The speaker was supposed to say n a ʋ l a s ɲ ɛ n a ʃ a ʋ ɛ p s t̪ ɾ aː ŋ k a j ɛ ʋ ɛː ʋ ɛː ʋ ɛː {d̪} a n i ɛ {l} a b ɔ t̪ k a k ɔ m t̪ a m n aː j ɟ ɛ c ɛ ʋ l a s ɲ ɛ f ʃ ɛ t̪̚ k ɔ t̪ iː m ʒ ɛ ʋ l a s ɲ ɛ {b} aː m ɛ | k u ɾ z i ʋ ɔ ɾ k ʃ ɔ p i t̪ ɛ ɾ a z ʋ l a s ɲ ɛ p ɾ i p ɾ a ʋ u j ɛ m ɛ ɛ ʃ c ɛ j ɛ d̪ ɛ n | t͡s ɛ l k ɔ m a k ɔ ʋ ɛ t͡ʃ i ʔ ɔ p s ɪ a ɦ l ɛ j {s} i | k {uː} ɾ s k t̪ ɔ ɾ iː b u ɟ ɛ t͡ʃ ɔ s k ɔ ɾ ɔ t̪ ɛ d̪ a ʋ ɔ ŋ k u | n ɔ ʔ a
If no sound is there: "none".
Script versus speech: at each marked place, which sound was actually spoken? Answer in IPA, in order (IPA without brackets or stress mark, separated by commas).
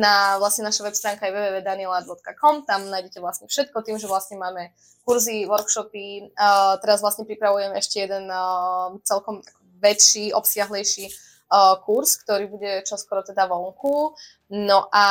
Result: d̪, l, m, ʃ, u